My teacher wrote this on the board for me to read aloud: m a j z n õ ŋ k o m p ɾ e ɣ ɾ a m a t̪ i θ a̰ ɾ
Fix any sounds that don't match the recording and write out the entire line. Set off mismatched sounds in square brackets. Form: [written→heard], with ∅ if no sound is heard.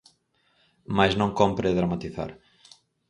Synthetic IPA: m a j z n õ ŋ k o m p ɾ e [ɣ→ð] ɾ a m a t̪ i θ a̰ ɾ

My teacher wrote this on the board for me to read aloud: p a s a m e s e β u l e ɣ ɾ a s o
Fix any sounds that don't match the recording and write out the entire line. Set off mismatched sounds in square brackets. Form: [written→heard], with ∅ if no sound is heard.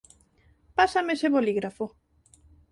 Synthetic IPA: p a s a m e s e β [u→o] l [e→i] ɣ ɾ a [s→f] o

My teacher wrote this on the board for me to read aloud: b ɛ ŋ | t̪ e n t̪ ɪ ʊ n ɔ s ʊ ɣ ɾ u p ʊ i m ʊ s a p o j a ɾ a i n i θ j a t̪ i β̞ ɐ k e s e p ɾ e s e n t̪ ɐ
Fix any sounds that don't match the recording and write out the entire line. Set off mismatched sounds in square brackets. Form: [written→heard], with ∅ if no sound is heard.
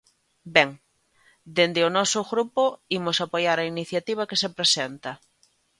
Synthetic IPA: b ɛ ŋ | [t̪→d̪] e n [t̪→d̪] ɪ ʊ n ɔ s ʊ ɣ ɾ u p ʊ i m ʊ s a p o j a ɾ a i n i θ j a t̪ i β̞ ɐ k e s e p ɾ e s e n t̪ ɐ

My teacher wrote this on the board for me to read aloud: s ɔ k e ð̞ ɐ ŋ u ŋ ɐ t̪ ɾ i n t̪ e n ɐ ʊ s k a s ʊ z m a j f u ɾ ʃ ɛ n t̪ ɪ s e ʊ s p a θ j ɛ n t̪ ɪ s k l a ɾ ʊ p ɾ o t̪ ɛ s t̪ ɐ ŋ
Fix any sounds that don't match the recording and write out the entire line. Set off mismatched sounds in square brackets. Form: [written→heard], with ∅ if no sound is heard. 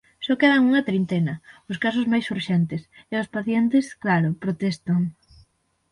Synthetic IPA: s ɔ k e ð̞ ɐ ŋ u ŋ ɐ t̪ ɾ i n t̪ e n ɐ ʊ s k a s ʊ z m a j [f→s] u ɾ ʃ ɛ n t̪ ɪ s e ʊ s p a θ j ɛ n t̪ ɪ s k l a ɾ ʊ p ɾ o t̪ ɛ s t̪ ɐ ŋ

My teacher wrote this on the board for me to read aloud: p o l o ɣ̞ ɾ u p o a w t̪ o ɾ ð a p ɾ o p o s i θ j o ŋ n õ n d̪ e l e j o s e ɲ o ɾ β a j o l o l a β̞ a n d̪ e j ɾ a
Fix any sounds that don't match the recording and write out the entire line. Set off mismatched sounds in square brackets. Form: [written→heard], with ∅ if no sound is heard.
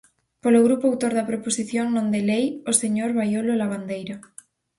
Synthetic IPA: p o l o ɣ̞ ɾ u p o a w t̪ o ɾ ð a p ɾ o p o s i θ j o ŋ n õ n d̪ e l e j o s e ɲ o ɾ β a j o l o l a β̞ a n d̪ e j ɾ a

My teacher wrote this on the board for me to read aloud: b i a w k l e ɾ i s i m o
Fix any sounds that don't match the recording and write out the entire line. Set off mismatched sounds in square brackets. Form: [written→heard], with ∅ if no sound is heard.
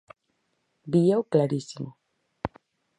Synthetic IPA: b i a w k l [e→a] ɾ i s i m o

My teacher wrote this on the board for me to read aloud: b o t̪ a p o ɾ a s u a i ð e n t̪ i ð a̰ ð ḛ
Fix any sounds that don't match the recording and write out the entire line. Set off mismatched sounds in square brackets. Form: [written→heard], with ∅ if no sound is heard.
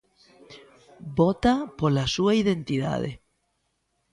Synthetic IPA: b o t̪ a p o [ɾ→l] a s u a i ð e n t̪ i ð a̰ ð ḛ

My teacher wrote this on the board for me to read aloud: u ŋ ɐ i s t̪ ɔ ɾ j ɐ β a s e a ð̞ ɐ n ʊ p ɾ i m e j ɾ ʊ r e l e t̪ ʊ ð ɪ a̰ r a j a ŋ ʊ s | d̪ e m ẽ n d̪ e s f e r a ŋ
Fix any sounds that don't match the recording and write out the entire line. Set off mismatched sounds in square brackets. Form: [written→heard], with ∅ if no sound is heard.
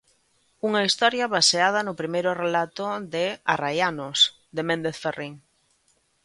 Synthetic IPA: u ŋ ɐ i s t̪ ɔ ɾ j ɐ β a s e a ð̞ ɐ n ʊ p ɾ i m e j ɾ ʊ r e l [e→a] t̪ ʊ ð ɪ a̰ r a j a [ŋ→n] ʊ s | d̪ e m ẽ n d̪ e [s→θ] f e r [a→i] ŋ

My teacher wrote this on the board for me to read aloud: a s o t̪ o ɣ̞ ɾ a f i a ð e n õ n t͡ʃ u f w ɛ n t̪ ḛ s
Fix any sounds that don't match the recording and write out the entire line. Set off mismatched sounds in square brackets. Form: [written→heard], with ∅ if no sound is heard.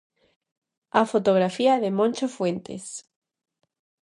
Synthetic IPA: a [s→f] o t̪ o ɣ̞ ɾ a f i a ð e [n→m] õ n t͡ʃ [u→o] f w [ɛ→e] n t̪ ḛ s

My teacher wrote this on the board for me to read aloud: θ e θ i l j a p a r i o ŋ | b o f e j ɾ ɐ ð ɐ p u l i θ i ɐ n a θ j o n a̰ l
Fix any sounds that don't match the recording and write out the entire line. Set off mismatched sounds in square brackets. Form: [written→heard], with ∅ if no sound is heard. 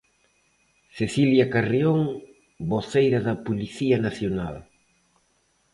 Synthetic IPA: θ e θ i l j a [p→k] a r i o ŋ | b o [f→θ] e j ɾ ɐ ð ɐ p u l i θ i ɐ n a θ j o n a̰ l

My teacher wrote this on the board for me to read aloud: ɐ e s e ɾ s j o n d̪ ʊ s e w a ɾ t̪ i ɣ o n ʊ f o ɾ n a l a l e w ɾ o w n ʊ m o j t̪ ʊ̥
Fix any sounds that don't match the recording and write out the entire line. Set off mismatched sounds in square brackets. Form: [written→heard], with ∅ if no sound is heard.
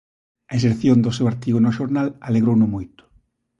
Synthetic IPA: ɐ e s e ɾ [s→θ] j o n d̪ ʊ s e w a ɾ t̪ i ɣ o n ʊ [f→ʃ] o ɾ n a l a l e [w→ɣ] ɾ o w n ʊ m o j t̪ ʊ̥

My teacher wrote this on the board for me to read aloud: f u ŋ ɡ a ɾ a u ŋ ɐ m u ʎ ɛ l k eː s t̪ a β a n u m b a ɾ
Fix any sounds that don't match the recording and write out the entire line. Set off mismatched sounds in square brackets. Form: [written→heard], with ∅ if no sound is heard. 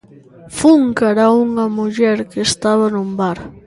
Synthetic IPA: f u ŋ [ɡ→k] a ɾ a u ŋ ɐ m u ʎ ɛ [l→ɾ] k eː s t̪ a β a n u m b a ɾ

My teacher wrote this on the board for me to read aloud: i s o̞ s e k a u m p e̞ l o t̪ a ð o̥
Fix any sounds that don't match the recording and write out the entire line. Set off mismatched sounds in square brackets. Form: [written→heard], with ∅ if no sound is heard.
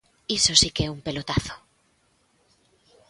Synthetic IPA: i s o̞ s [e→i] k [a→e] u m p e̞ l o t̪ a [ð→θ] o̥

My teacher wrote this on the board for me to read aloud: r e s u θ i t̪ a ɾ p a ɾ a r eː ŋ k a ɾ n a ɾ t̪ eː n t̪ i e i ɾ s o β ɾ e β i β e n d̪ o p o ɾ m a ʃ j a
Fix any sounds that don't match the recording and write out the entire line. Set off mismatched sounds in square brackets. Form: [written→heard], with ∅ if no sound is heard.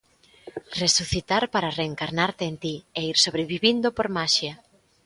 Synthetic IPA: r e s u θ i t̪ a ɾ p a ɾ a r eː ŋ k a ɾ n a ɾ t̪ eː n t̪ i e i ɾ s o β ɾ e β i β [e→i] n d̪ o p o ɾ m a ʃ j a

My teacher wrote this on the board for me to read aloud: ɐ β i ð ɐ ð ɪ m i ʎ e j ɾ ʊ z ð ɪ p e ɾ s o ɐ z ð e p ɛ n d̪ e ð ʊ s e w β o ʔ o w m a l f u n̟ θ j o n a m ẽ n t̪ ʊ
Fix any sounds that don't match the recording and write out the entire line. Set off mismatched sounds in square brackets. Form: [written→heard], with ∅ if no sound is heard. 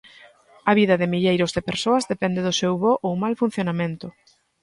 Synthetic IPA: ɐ β i ð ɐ ð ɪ m i ʎ e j ɾ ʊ z ð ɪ p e ɾ s o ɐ z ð e p ɛ n d̪ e ð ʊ s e w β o ʔ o w m a l f u n̟ θ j o n a m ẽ n t̪ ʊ

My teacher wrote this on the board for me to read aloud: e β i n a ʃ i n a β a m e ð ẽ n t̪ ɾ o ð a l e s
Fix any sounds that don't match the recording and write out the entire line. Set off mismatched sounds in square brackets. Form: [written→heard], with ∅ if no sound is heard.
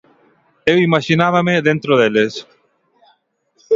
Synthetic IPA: e [β→w] i [n→m] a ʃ i n a β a m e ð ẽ n t̪ ɾ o ð [a→e] l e s

